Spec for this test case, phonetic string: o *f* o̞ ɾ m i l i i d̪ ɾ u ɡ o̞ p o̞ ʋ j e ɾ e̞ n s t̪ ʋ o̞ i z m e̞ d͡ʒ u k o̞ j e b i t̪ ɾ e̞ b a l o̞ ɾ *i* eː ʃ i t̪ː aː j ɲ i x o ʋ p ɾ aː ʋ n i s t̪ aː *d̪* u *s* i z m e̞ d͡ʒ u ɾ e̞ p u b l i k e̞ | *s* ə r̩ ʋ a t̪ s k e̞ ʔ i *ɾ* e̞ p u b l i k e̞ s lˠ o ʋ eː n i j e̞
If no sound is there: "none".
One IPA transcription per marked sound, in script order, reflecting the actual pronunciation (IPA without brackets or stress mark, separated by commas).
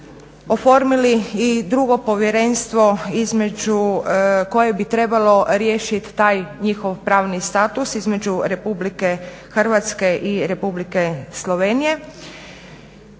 f, j, t̪, s, x, ɾ